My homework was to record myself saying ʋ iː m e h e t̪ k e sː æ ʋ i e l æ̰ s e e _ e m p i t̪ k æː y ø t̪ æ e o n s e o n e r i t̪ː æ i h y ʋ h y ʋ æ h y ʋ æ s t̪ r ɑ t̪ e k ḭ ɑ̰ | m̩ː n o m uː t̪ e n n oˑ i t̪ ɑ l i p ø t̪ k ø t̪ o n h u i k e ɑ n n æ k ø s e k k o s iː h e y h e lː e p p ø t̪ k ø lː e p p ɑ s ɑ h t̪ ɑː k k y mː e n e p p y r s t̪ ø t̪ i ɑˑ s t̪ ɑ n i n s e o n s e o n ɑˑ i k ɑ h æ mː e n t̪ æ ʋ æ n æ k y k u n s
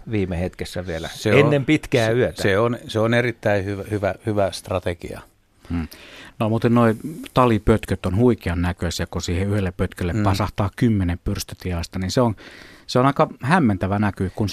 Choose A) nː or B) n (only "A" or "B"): A